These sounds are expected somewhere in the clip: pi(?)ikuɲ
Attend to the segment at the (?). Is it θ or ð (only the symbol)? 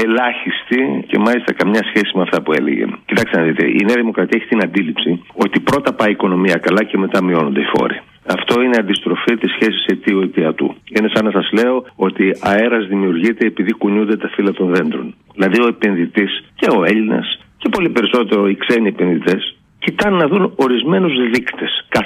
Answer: ð